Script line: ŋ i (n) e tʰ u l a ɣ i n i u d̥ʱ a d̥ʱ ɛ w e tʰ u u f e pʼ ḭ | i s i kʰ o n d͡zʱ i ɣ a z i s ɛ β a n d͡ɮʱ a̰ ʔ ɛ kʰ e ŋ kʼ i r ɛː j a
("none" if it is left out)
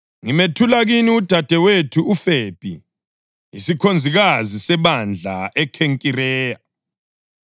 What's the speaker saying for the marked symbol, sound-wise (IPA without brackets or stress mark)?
m